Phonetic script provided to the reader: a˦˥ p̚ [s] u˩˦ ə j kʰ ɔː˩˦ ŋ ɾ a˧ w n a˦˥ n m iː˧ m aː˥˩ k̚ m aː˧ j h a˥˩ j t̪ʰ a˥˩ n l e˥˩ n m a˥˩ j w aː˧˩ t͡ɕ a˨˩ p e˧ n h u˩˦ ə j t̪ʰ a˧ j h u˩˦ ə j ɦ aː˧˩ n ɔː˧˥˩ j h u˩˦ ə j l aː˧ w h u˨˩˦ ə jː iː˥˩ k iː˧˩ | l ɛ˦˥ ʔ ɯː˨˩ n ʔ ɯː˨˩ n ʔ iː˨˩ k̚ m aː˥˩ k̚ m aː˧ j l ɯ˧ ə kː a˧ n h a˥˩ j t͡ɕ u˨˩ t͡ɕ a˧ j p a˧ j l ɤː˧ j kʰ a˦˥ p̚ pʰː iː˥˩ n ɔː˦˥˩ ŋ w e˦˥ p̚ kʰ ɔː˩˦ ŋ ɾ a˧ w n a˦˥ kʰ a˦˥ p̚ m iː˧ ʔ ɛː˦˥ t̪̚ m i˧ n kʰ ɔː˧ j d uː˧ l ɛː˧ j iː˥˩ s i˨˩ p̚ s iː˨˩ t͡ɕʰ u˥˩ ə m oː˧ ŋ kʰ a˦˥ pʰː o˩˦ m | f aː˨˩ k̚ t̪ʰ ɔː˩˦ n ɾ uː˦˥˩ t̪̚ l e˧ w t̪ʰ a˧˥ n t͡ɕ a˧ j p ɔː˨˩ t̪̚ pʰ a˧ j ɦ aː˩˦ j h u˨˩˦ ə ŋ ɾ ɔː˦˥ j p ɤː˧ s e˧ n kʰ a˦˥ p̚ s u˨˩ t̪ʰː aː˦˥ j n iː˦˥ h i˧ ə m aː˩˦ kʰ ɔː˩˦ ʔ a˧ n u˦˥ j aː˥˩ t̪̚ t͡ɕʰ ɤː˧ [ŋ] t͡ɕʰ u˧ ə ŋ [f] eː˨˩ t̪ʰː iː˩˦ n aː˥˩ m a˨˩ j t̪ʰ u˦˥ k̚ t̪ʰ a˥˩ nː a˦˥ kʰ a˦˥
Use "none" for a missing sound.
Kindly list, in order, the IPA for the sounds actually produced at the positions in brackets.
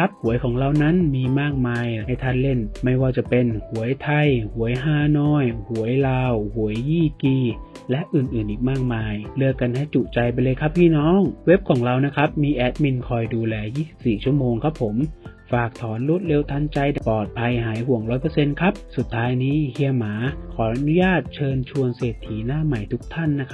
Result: h, n, s

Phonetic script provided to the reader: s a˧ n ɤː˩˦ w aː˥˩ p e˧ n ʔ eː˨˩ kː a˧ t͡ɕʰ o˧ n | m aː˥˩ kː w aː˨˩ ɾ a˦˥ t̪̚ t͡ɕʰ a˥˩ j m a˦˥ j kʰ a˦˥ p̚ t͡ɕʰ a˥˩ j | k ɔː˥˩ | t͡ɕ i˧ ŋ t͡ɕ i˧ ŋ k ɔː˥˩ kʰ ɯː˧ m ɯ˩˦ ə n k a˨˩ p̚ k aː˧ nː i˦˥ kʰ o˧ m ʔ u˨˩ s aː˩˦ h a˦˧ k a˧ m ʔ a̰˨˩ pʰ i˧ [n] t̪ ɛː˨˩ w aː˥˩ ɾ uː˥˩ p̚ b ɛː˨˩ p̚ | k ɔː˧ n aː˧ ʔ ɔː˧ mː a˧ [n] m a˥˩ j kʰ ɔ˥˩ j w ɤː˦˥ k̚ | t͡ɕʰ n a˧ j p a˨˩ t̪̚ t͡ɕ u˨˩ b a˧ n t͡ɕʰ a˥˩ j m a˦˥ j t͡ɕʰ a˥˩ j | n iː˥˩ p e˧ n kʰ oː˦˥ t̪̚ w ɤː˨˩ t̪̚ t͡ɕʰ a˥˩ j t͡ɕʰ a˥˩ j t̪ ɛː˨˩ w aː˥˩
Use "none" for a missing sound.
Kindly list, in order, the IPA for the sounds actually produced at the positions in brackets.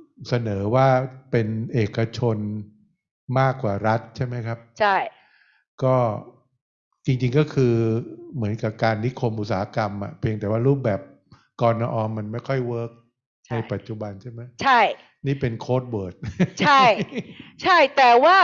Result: ŋ, n

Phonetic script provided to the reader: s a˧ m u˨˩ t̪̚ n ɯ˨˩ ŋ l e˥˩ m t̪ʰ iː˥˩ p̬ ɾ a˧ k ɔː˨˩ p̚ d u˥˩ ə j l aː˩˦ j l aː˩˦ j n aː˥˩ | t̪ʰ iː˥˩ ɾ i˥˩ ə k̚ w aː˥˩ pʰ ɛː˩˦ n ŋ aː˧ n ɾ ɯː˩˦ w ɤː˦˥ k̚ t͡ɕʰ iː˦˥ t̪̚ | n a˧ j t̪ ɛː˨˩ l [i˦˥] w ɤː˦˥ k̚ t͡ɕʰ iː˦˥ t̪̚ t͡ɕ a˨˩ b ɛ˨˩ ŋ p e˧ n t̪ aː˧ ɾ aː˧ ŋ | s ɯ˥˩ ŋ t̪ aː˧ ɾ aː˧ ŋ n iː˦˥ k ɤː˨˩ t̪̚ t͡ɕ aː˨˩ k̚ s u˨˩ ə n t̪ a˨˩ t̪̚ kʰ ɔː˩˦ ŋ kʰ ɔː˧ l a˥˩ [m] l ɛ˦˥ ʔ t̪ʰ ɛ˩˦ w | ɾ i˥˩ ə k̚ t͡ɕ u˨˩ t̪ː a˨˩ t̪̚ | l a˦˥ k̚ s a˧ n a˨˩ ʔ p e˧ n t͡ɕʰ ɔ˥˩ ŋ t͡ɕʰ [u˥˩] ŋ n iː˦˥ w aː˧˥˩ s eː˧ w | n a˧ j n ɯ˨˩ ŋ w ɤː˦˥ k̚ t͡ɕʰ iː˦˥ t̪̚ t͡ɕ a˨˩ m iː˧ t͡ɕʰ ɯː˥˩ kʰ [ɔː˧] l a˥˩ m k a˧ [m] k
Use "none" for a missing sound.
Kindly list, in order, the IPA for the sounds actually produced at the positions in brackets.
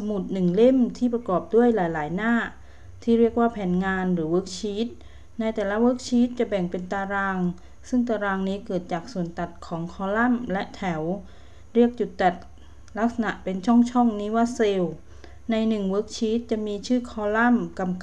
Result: a˦˥, m, ɔ˥˩, ɔː˧, m

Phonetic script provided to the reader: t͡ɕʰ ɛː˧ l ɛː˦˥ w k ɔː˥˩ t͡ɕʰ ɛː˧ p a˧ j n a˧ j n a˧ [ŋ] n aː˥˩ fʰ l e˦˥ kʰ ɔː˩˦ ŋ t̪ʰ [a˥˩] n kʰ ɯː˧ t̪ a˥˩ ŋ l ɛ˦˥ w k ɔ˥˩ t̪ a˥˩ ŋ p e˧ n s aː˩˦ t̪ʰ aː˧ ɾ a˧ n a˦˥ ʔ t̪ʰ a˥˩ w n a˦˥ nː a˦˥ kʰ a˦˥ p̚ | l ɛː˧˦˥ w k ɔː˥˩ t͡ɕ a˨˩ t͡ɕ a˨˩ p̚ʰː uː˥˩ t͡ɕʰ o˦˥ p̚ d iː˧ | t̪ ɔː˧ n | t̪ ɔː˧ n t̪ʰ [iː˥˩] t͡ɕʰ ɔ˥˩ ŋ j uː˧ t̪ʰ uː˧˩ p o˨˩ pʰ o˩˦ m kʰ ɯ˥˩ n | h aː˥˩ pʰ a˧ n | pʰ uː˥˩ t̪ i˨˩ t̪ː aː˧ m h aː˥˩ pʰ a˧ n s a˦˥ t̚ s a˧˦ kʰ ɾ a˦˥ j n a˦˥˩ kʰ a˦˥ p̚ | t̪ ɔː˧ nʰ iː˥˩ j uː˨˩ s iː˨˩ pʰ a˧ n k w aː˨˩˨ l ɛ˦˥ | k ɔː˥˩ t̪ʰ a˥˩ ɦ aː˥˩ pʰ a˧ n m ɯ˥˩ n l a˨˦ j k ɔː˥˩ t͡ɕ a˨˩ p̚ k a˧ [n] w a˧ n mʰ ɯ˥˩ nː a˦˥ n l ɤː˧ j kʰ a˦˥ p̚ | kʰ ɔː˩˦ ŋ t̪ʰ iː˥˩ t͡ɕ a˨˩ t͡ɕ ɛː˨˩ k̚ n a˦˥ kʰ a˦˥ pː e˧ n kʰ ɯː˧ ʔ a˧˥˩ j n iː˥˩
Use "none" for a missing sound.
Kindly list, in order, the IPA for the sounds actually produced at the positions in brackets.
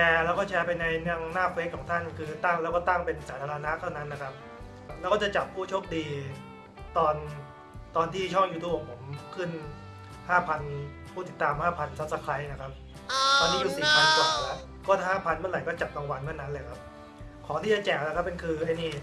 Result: ŋ, a˥˩, iː˥˩, ŋ

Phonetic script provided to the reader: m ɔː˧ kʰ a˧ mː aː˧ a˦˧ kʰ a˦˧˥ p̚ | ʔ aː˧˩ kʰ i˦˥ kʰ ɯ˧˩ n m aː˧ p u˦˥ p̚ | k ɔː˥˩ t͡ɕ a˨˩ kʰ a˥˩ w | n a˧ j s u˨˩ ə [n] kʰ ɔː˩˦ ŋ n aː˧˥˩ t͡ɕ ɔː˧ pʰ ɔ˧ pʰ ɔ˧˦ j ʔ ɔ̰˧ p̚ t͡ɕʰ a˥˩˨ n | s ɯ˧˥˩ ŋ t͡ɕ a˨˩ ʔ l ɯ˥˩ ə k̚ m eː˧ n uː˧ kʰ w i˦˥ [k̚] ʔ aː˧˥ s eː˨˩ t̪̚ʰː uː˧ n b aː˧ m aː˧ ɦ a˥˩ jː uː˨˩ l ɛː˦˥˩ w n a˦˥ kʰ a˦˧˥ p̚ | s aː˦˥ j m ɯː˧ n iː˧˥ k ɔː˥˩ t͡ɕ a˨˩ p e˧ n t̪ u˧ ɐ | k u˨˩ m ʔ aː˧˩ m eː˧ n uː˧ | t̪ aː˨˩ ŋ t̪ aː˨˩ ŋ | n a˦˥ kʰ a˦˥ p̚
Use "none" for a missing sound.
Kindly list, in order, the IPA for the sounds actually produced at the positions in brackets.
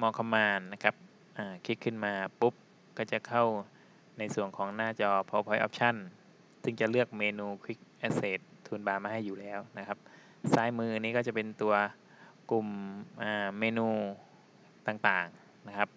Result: ŋ, k̚

